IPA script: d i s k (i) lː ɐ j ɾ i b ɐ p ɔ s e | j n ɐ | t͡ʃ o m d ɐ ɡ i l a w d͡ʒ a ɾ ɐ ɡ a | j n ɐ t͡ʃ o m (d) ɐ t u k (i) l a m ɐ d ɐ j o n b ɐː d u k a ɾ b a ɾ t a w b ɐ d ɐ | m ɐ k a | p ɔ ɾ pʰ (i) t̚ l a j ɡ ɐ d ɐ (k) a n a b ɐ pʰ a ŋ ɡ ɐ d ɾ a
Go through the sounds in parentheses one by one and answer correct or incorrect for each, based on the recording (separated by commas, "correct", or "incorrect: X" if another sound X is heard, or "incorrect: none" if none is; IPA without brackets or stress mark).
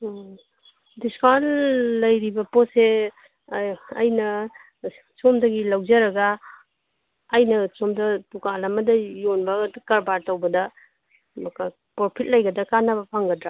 incorrect: a, correct, incorrect: a, correct, correct